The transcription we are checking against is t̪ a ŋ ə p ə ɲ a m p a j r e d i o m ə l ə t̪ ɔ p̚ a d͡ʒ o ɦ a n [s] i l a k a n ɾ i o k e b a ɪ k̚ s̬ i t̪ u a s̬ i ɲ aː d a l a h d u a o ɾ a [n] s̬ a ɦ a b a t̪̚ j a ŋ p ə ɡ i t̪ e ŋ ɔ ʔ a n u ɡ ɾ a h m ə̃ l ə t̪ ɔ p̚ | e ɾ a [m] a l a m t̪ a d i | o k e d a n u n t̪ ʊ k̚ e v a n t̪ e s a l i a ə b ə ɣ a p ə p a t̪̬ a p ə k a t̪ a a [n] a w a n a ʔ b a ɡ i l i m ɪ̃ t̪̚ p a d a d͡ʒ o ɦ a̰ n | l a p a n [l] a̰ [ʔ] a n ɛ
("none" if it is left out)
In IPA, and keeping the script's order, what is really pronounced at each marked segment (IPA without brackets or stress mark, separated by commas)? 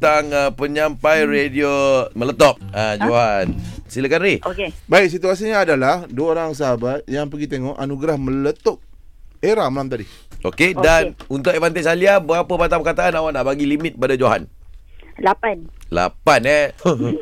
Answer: s, ŋ, m, n, l, p